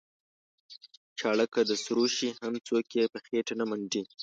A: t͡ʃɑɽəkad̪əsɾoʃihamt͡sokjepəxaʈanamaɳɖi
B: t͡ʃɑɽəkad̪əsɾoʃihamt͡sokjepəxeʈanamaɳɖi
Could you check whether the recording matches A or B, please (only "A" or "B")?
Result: B